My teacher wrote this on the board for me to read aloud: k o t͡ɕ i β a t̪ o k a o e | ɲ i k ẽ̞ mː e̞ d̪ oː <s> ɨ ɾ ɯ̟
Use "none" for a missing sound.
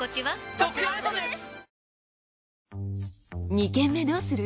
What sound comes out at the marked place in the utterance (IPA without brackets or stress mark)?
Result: s